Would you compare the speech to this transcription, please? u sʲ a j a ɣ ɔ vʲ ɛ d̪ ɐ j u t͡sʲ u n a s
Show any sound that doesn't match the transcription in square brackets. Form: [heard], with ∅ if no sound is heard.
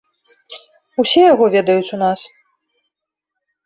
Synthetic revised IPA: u sʲ [ɛ] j a ɣ ɔ vʲ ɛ d̪ ɐ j u t͡sʲ u n a s

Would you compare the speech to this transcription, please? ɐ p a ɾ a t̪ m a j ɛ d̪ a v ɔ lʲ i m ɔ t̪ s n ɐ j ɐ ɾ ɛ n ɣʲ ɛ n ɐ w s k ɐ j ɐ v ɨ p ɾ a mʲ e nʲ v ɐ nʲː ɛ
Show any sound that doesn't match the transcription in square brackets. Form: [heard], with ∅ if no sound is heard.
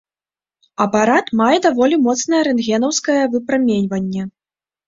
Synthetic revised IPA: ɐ p a ɾ a t̪ m a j ɛ d̪ a v ɔ lʲ i m ɔ t̪ s n ɐ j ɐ ɾ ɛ n ɣʲ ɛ n ɐ w s k ɐ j ɐ v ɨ p ɾ a mʲ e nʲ v ɐ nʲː ɛ

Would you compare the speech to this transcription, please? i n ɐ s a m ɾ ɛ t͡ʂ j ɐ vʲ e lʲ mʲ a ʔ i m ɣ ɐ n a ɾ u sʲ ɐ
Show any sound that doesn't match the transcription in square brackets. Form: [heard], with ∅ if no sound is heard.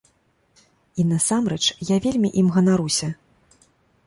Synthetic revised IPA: i n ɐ s a m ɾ ɛ t͡ʂ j [a] vʲ e lʲ mʲ [i] ʔ i m ɣ ɐ n a ɾ u sʲ ɐ

